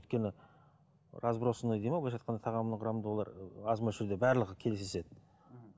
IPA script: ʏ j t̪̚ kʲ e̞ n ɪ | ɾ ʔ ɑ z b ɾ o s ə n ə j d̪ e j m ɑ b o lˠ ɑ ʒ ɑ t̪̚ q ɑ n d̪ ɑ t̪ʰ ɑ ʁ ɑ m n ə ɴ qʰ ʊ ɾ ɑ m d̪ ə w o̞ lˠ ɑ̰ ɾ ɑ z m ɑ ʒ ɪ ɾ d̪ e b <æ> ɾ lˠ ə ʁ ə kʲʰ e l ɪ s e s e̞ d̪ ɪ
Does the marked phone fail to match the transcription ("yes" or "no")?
no